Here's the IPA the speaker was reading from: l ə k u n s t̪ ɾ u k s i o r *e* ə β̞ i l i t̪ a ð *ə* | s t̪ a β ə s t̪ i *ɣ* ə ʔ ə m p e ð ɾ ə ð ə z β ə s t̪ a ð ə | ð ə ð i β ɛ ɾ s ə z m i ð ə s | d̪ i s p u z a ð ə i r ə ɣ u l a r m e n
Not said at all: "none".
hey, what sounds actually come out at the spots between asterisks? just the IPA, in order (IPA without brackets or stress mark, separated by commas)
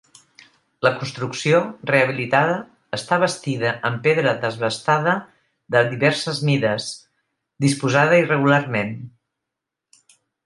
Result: e, əː, ð